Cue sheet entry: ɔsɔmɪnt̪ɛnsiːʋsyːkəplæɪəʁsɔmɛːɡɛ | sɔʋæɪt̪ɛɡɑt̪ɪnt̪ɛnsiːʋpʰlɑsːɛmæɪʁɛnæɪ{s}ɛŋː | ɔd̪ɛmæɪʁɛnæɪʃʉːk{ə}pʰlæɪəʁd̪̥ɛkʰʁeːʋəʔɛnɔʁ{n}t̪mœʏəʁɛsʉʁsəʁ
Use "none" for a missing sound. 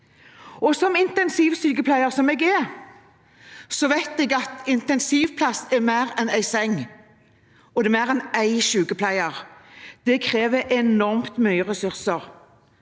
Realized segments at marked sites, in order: s, ə, m

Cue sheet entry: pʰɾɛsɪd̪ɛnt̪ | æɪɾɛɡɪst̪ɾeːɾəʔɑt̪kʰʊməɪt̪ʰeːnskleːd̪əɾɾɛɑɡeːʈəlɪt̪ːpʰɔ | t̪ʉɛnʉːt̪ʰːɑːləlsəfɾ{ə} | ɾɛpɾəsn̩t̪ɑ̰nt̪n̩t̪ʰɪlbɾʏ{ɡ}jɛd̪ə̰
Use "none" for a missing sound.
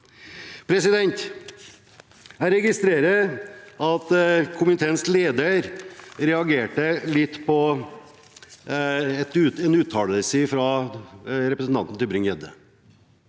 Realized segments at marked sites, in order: ɑ, ŋ

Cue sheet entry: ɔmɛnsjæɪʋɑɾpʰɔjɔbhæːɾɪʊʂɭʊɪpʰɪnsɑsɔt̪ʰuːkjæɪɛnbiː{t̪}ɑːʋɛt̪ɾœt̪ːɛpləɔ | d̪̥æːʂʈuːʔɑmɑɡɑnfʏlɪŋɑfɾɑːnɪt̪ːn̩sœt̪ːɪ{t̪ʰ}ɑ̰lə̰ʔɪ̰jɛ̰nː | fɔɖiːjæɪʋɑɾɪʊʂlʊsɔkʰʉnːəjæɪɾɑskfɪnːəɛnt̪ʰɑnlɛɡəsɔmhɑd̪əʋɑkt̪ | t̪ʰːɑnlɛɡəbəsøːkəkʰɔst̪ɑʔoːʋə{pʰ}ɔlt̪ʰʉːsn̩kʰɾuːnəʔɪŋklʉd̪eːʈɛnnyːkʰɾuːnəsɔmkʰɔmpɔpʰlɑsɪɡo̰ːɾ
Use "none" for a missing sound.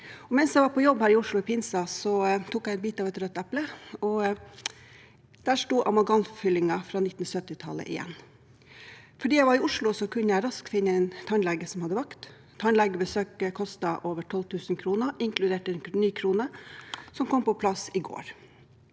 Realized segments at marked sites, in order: t̪, t̪ʰ, ʈʰ

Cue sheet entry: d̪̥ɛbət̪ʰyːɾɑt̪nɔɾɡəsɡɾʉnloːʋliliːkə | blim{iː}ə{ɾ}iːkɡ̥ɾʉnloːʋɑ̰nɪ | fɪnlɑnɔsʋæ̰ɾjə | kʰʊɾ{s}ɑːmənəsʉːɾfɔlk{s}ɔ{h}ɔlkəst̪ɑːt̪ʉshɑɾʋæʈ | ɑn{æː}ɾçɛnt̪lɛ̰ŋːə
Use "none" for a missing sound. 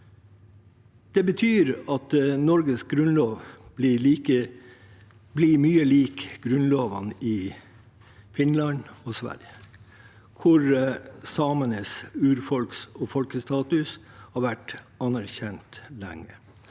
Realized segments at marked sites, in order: yː, l, s, s, f, æ

